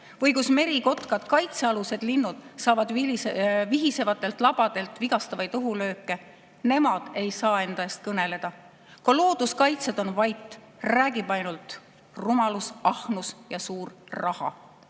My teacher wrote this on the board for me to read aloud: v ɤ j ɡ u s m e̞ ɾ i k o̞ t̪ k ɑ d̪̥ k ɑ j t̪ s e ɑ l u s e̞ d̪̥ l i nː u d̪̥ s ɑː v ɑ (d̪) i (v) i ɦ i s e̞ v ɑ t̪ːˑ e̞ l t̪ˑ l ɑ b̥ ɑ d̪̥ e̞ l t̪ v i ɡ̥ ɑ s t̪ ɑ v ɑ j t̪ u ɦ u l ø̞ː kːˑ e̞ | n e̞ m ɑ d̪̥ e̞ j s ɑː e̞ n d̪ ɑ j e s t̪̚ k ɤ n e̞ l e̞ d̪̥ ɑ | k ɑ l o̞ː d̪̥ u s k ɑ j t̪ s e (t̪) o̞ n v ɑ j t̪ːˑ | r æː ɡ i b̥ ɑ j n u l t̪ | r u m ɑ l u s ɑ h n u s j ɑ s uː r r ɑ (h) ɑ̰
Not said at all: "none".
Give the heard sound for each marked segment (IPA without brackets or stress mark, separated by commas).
d̪, v, d̪, h